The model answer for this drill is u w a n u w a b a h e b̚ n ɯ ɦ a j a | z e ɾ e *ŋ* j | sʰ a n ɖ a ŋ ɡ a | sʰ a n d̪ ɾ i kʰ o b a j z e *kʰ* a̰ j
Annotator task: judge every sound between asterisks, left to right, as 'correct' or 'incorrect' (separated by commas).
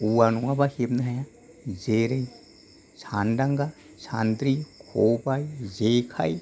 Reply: incorrect, correct